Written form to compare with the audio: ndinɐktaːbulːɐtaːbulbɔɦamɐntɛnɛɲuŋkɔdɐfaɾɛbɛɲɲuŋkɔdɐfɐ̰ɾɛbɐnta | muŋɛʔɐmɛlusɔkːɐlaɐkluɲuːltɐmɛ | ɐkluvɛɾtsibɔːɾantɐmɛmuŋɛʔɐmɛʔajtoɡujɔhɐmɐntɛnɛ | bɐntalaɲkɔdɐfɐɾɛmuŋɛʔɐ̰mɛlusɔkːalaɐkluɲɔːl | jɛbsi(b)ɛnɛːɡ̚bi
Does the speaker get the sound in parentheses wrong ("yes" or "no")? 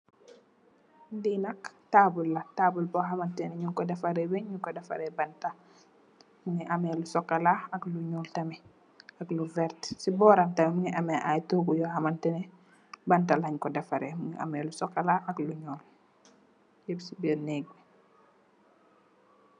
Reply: no